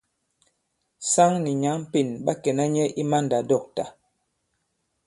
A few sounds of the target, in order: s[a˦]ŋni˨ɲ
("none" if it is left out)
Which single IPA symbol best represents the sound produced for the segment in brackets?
a˦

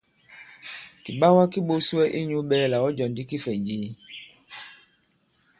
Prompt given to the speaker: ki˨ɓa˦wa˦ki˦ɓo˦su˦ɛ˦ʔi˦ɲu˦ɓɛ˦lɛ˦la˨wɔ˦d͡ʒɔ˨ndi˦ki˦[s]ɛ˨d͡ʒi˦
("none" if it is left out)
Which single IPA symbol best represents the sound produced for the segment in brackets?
f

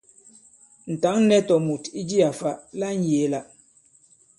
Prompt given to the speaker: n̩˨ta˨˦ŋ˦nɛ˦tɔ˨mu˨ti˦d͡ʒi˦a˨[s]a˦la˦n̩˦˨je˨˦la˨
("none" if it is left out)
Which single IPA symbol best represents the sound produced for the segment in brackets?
f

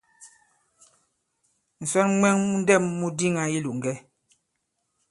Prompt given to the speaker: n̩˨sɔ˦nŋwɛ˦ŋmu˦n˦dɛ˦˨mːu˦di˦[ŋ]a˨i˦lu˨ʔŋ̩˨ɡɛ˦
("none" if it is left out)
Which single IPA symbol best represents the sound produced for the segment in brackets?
ŋ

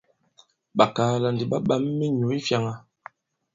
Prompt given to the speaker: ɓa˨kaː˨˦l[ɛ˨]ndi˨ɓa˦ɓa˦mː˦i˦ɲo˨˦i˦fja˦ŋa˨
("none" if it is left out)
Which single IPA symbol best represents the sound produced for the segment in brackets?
a˨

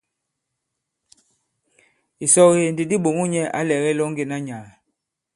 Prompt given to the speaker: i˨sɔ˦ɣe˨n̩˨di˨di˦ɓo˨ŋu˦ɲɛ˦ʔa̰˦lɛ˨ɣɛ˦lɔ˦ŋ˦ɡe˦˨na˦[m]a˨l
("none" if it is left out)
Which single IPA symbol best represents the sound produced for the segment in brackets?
ɲ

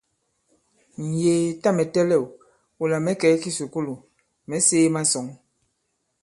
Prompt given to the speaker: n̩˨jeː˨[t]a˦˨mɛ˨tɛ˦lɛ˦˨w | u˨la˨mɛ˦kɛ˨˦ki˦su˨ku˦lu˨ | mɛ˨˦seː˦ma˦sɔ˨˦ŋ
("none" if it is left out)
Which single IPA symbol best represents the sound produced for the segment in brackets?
t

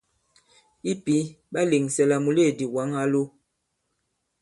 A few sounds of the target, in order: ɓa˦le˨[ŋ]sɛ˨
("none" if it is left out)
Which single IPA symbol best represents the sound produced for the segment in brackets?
ŋ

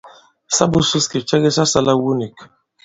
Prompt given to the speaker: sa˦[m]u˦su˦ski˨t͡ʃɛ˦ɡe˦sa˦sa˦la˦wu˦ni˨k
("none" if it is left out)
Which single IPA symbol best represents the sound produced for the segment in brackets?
b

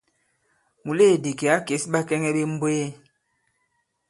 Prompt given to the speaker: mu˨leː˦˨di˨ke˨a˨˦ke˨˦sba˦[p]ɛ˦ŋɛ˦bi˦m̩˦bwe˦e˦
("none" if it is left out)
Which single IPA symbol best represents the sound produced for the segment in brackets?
k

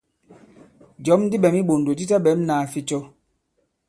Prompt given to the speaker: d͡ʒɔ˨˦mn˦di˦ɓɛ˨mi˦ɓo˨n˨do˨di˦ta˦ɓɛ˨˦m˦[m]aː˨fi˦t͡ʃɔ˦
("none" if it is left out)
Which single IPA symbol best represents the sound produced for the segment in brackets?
n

